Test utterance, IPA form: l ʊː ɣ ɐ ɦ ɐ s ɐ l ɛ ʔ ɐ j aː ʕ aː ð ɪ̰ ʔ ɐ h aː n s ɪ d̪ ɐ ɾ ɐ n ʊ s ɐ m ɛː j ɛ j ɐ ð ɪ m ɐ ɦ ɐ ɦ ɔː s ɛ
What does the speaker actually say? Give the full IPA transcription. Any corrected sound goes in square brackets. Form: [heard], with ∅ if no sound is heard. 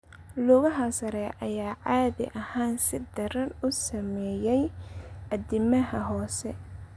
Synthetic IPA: l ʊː ɣ ɐ ɦ ɐ s ɐ [ɾ] ɛ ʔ ɐ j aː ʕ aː ð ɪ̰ ʔ ɐ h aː n s ɪ d̪ ɐ ɾ ɐ n ʊ s ɐ m ɛː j ɛ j ɐ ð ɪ m ɐ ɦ ɐ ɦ ɔː s ɛ